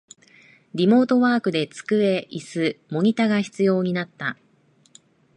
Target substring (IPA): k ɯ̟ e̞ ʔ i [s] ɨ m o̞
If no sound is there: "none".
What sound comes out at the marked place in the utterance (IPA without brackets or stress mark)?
s